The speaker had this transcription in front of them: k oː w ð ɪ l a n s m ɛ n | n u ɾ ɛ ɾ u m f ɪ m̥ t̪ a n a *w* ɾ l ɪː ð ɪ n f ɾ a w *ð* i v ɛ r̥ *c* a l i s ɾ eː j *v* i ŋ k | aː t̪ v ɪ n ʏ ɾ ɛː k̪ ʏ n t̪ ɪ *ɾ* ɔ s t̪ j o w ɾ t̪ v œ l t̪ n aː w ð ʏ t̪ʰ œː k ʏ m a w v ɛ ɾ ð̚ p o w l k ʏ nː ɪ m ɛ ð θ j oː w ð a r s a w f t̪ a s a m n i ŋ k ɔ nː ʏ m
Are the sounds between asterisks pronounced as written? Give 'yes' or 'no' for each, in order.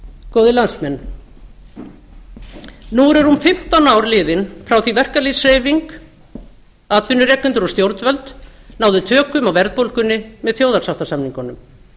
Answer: yes, no, no, yes, yes

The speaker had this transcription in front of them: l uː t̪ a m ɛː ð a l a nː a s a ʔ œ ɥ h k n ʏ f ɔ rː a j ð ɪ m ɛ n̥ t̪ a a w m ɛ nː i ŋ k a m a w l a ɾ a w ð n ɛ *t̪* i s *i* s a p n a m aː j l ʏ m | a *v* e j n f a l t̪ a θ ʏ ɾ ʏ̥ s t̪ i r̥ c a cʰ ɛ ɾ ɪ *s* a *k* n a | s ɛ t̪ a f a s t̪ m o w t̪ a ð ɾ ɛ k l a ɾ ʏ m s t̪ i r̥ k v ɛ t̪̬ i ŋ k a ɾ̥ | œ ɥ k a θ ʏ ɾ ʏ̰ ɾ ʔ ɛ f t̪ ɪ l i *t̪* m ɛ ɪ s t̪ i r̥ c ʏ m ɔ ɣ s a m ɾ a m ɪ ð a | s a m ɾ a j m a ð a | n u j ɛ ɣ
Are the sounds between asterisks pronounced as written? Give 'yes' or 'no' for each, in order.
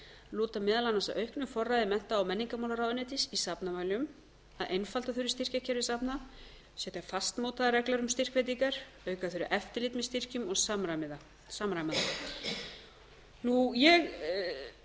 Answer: yes, yes, no, yes, no, yes

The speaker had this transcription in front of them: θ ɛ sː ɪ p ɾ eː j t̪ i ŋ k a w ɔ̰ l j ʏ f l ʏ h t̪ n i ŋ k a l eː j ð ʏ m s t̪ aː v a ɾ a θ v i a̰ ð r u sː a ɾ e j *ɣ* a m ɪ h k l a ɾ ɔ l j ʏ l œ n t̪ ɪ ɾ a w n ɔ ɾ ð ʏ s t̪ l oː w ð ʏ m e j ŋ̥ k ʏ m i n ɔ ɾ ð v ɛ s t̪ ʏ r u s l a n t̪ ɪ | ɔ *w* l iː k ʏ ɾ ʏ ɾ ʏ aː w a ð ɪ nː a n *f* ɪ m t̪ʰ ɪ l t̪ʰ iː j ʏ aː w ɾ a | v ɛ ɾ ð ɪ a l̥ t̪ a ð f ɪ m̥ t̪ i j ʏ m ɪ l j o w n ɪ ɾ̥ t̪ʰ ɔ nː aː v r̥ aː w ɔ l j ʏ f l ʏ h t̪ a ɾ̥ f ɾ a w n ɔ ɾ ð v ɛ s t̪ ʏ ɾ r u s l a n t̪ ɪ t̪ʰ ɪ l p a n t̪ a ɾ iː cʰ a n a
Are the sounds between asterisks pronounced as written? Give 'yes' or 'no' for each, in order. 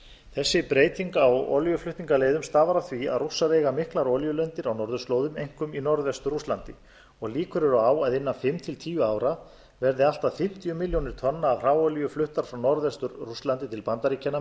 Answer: yes, no, yes

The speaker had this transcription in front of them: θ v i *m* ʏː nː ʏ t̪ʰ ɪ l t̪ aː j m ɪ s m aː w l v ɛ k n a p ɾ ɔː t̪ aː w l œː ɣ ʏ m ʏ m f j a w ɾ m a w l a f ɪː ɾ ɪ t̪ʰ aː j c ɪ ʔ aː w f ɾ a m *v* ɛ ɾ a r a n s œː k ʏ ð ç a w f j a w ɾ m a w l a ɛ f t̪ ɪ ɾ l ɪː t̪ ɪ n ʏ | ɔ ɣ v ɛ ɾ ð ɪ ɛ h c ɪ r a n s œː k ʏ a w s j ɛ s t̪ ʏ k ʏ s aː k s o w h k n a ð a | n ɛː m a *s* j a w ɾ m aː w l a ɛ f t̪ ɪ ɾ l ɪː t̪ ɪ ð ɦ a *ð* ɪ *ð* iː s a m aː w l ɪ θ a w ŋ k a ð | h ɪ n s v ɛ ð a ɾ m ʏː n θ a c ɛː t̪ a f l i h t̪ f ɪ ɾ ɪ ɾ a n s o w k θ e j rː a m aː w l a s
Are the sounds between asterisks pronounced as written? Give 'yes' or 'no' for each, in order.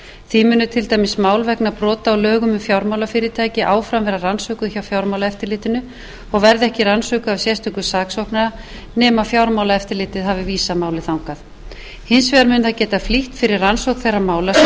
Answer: yes, yes, no, no, no

